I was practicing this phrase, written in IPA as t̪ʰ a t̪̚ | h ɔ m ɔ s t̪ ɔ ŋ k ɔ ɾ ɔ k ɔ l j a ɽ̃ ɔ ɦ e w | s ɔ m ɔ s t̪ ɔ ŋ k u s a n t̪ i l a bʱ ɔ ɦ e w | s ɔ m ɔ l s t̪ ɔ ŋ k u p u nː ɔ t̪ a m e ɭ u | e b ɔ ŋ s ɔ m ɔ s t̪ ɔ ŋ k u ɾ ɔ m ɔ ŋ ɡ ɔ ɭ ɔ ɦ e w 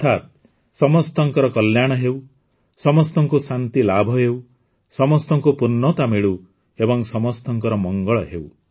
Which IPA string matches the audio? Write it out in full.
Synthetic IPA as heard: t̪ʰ a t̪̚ | s ɔ m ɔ s t̪ ɔ ŋ k ɔ ɾ ɔ k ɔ l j a ɽ̃ ɔ ɦ e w | s ɔ m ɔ s t̪ ɔ ŋ k u s a n t̪ i l a bʱ ɔ ɦ e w | s ɔ m ɔ s t̪ ɔ ŋ k u p u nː ɔ t̪ a m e ɭ u | e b ɔ ŋ s ɔ m ɔ s t̪ ɔ ŋ k ɔ ɾ ɔ m ɔ ŋ ɡ ɔ ɭ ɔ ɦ e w